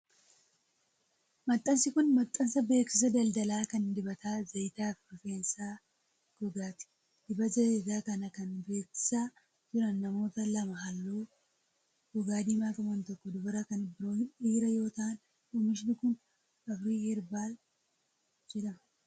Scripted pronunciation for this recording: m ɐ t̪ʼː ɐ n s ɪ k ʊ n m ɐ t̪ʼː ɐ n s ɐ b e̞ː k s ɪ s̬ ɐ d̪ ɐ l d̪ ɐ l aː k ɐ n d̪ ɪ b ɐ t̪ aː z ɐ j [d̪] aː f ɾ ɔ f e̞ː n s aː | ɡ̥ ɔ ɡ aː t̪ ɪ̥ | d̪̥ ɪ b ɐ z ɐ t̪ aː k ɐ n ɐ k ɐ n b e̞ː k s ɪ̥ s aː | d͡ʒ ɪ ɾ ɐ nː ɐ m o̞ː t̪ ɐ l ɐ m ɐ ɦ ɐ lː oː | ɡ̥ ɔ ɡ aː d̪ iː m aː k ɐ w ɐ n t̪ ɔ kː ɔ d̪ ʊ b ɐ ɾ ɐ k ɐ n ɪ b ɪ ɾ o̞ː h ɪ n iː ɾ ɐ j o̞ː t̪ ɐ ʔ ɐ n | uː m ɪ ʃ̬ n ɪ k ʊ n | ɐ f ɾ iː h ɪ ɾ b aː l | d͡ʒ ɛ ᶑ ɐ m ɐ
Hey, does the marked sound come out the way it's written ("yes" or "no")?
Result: no